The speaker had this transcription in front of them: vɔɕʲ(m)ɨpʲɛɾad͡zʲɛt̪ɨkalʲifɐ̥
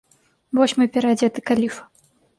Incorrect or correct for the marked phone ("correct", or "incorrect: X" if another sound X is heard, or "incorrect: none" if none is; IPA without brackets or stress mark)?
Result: correct